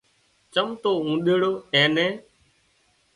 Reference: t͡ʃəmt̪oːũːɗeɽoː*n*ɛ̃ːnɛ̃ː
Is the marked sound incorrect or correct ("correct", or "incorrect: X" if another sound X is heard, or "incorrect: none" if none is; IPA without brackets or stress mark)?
incorrect: none